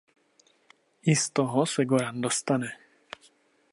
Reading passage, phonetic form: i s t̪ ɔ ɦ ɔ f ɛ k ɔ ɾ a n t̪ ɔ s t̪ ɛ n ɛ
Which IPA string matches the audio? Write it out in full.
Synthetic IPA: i s t̪ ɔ ɦ ɔ s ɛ ɡ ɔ ɾ a n d̪ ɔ s t̪ a n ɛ